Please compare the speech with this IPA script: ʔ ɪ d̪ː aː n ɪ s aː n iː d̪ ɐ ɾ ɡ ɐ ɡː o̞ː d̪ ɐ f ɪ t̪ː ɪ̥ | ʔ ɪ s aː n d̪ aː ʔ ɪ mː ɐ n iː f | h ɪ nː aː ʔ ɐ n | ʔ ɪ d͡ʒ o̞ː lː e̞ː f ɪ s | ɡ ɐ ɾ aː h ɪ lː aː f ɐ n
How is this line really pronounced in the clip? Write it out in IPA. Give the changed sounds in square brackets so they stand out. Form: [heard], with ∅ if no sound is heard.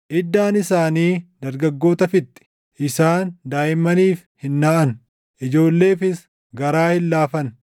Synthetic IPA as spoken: ʔ ɪ d̪ː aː n ɪ s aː n iː d̪ ɐ ɾ ɡ ɐ ɡː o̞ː [t̪] ɐ f ɪ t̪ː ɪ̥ | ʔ ɪ s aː n d̪ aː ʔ ɪ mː ɐ n iː f | h ɪ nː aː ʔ ɐ n | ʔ ɪ d͡ʒ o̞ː lː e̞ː f ɪ s | ɡ ɐ ɾ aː h ɪ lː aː f ɐ n